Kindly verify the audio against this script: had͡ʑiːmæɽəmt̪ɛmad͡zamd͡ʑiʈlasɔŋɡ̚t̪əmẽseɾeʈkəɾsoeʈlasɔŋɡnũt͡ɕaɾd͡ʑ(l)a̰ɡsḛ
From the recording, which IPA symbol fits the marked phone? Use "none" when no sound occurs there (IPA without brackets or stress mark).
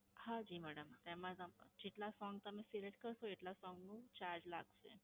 l